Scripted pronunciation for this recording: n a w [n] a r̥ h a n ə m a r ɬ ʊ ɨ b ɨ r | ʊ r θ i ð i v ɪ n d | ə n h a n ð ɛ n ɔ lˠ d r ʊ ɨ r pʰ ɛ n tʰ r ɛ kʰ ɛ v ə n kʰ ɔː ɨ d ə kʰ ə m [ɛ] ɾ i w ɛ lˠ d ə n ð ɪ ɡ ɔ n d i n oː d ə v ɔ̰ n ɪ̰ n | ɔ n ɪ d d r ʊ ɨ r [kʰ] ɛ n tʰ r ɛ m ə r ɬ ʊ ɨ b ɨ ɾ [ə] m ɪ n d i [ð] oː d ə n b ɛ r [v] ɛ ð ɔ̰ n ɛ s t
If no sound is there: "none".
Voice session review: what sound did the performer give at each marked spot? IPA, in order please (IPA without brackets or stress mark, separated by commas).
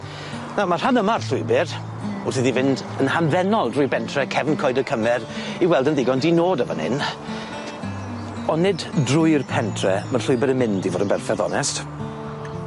m, ɛ, pʰ, ə, v, f